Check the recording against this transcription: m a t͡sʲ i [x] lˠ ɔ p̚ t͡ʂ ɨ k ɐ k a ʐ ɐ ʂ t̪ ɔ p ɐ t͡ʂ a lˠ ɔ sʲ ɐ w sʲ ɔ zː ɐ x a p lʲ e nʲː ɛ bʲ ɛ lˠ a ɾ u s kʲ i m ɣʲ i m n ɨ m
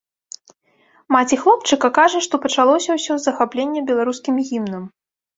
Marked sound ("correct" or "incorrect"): correct